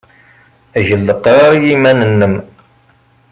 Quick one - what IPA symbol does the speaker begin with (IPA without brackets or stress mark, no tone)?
æ